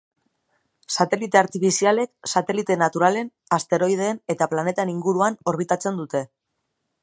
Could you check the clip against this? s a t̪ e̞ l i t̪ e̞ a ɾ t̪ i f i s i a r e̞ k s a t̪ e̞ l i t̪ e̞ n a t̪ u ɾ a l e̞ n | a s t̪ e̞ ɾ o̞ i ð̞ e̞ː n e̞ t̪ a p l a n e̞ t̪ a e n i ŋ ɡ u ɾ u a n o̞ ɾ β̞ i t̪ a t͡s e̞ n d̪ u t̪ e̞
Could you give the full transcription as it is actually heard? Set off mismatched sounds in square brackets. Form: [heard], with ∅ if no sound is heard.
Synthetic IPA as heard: s a t̪ e̞ l i t̪ e̞ a ɾ t̪ i f i s i a [l] e̞ k s a t̪ e̞ l i t̪ e̞ n a t̪ u ɾ a l e̞ n | a s t̪ e̞ ɾ o̞ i ð̞ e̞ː n e̞ t̪ a p l a n e̞ t̪ a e n i ŋ ɡ u ɾ u a n o̞ ɾ β̞ i t̪ a t͡s e̞ n d̪ u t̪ e̞